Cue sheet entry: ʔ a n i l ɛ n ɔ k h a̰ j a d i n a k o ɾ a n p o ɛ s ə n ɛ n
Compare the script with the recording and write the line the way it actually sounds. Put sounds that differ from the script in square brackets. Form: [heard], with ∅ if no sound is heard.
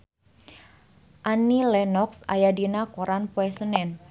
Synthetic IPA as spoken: ʔ a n i l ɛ n ɔ k [s] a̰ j a d i n a k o ɾ a n p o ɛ s ə n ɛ n